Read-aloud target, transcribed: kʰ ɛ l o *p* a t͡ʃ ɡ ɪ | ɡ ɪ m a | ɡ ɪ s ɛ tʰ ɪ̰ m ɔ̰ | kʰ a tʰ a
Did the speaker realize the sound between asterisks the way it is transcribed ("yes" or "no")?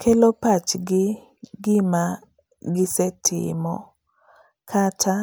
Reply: yes